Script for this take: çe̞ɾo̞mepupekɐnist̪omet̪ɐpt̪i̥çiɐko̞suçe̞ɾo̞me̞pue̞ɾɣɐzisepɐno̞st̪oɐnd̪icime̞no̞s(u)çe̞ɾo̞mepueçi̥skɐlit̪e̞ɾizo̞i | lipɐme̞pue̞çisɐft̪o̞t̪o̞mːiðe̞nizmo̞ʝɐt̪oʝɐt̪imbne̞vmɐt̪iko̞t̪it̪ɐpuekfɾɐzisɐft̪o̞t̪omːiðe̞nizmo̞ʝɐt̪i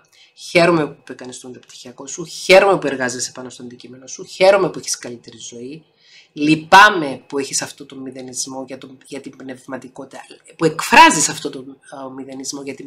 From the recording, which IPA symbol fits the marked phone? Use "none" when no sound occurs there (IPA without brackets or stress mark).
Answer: u